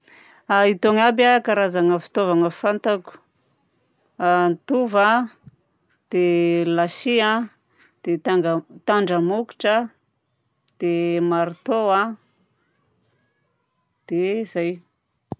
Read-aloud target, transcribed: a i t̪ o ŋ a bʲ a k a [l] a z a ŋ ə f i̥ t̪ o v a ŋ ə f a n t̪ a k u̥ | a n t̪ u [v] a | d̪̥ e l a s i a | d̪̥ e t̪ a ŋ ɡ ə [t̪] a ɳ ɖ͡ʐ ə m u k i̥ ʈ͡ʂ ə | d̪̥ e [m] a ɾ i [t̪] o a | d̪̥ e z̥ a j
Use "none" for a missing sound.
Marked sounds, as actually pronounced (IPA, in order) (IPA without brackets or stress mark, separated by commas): ɾ, v, t̪, m, t̪